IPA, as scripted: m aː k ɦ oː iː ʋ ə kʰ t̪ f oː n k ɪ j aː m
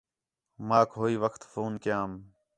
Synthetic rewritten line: m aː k ɦ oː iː ʋ ə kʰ t̪ f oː n k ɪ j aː m